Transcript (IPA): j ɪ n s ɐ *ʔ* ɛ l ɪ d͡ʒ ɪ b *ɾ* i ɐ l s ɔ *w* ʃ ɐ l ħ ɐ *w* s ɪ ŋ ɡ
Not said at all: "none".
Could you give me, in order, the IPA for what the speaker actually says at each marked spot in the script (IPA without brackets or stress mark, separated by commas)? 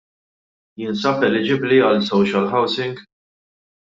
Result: p, l, w, w